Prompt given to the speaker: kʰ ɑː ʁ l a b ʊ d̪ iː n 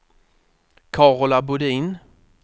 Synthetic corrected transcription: kʰ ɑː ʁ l a b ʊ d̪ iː n